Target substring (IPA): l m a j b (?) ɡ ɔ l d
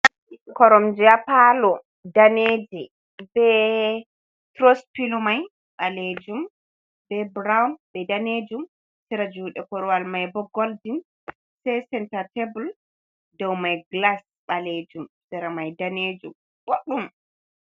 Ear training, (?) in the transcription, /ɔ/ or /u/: ɔ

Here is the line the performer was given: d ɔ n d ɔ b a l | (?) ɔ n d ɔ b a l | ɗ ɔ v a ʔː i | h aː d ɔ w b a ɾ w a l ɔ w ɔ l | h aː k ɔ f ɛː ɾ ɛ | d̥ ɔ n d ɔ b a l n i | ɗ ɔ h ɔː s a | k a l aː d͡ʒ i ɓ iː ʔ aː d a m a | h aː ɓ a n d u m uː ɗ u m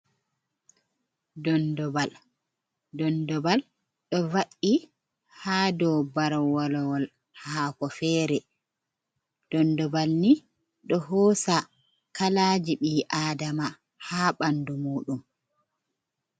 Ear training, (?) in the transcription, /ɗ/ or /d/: d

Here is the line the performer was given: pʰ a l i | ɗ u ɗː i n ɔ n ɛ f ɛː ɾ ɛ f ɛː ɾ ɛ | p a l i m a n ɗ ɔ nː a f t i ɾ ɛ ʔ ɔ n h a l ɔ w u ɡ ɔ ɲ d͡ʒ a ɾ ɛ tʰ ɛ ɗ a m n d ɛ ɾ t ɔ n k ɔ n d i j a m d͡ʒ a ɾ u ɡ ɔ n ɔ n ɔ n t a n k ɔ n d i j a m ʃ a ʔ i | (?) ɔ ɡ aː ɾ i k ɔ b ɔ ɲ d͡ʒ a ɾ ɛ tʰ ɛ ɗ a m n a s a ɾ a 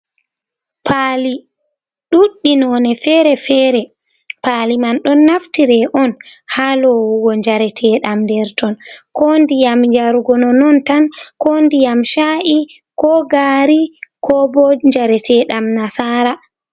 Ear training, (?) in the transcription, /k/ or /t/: k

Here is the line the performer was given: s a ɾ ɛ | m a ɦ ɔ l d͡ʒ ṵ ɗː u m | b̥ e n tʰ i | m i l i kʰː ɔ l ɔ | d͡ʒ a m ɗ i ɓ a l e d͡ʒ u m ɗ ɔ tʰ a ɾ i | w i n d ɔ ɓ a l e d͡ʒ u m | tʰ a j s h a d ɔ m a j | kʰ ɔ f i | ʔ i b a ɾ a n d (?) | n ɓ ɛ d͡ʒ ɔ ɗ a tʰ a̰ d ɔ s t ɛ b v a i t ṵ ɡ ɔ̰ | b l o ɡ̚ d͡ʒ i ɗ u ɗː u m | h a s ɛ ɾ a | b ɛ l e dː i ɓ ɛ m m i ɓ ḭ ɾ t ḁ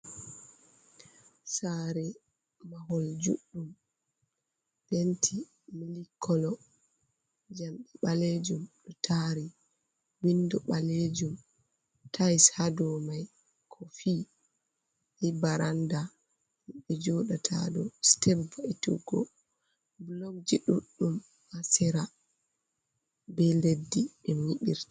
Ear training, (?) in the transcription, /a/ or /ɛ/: a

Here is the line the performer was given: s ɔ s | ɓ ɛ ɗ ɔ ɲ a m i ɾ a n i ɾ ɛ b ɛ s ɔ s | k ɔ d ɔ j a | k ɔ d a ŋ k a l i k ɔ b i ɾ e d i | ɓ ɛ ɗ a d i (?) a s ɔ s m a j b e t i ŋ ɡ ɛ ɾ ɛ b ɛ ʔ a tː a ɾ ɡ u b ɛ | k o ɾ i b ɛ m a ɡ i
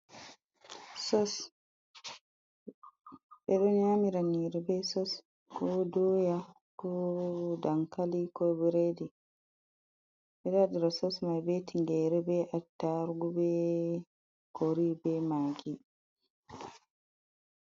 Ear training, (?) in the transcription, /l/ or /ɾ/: ɾ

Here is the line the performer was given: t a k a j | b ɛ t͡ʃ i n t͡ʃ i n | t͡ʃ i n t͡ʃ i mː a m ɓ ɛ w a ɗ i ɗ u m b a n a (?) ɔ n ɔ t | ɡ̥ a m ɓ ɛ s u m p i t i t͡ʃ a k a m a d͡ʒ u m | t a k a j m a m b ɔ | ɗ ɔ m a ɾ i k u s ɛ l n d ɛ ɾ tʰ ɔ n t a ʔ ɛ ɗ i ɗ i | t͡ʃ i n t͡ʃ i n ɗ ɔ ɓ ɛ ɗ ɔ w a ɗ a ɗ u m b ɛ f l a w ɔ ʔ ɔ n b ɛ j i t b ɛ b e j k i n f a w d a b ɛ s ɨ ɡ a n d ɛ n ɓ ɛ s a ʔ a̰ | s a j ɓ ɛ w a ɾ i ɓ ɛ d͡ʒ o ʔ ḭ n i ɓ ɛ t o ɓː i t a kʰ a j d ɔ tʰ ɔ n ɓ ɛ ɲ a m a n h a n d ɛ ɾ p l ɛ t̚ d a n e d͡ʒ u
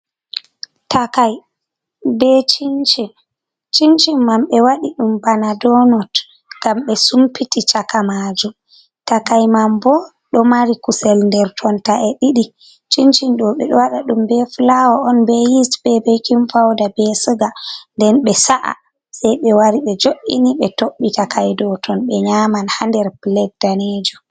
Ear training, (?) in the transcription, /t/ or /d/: d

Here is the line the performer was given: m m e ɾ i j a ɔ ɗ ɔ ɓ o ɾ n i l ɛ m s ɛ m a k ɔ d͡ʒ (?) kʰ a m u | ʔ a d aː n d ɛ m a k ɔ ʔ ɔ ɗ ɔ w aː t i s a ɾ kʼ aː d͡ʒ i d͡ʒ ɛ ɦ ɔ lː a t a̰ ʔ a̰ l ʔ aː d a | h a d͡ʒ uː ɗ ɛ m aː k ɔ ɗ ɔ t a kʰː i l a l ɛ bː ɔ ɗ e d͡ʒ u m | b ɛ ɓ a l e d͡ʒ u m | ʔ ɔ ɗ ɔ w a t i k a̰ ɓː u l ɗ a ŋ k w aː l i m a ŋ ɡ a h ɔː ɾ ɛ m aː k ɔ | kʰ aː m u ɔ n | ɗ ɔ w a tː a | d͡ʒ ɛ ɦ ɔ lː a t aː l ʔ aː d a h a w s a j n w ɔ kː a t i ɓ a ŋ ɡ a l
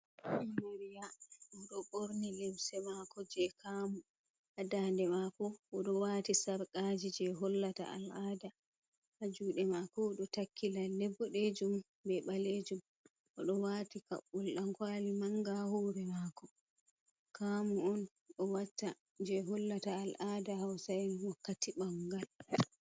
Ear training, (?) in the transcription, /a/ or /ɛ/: ɛ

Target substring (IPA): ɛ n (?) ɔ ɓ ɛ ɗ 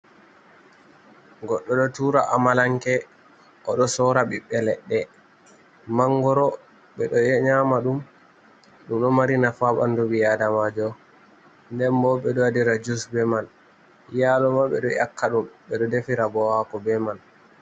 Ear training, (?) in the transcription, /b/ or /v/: b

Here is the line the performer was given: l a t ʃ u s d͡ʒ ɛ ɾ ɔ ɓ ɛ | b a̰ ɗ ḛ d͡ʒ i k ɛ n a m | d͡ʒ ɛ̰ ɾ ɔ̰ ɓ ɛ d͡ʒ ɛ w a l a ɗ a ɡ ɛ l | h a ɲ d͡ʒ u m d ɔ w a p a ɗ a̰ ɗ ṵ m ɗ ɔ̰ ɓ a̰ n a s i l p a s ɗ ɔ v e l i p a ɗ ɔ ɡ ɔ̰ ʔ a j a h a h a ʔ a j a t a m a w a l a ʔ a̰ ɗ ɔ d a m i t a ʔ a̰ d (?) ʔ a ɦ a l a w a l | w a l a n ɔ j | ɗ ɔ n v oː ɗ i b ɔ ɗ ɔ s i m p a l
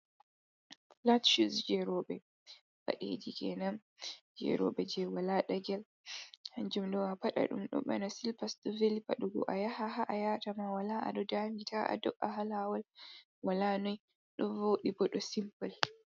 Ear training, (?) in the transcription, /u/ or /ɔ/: ɔ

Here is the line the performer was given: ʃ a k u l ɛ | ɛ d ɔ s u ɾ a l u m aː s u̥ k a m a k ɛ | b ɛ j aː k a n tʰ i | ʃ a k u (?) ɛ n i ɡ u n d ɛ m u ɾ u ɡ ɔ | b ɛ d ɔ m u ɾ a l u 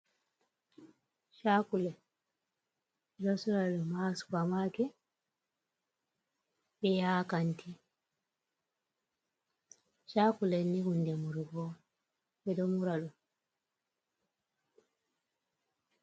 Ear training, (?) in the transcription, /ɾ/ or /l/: l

